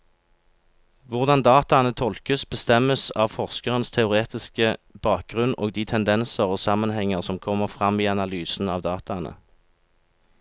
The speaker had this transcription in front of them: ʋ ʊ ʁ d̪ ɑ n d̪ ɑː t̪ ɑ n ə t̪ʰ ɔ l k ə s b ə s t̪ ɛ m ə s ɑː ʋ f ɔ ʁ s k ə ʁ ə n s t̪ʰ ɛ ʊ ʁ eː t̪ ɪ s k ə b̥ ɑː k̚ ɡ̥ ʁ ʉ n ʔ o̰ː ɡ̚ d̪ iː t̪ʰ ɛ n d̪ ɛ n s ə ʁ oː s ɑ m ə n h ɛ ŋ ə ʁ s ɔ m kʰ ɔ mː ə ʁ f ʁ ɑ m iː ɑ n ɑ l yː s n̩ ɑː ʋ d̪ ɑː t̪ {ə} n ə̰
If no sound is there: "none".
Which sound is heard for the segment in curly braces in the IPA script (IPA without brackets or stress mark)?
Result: ɑ